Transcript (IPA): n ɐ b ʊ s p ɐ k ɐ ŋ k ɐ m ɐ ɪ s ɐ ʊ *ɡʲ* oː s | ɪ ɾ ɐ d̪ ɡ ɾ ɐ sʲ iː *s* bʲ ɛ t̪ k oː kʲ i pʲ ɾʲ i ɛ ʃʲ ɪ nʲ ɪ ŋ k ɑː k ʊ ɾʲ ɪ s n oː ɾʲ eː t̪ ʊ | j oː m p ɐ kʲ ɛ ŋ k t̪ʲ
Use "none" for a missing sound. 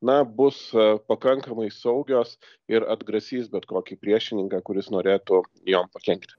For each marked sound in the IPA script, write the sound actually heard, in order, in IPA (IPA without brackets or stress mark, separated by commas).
ɡʲ, s